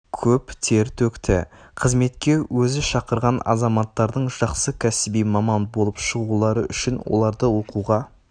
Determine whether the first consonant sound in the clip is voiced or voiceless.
voiceless